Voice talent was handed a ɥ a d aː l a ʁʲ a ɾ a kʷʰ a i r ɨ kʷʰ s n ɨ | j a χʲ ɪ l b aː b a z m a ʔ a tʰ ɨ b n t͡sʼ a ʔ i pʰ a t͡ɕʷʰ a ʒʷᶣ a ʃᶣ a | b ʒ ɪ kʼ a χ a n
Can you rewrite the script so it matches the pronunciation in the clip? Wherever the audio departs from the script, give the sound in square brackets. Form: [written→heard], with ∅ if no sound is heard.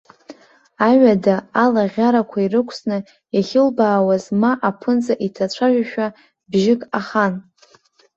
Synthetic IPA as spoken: a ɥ a d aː l a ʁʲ a ɾ a kʷʰ a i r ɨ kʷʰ s n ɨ | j a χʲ ɪ l b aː [b→w] a z m a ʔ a [tʰ→pʰ] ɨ [b→∅] n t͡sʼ a ʔ i [pʰ→tʰ] a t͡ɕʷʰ a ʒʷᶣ a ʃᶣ a | b ʒ ɪ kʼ a χ a n

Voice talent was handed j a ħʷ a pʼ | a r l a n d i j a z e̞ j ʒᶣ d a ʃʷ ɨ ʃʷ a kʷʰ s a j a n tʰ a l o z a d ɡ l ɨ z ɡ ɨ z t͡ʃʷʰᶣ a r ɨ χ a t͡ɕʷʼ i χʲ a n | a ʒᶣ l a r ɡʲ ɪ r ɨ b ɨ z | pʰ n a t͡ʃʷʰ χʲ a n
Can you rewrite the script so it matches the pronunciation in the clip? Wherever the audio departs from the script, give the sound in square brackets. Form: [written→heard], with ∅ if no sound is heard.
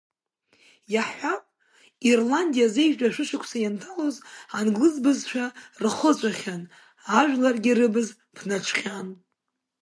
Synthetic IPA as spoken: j a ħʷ a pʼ | [a→i] r l a n d i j a z e̞ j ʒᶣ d a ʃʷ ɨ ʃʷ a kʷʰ s a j a n tʰ a l o z a [d→n] ɡ l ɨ z [ɡ→b] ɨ z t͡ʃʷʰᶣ a r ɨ χ [a→ə] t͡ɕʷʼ [i→a] χʲ a n | a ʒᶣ l a r ɡʲ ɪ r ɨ b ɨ z | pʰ n a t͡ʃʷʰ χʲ a n

